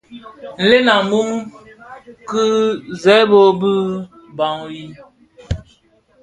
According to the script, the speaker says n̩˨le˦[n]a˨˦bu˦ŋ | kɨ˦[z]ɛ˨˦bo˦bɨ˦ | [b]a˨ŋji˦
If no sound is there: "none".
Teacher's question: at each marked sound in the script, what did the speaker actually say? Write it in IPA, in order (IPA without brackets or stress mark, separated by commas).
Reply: n, z, b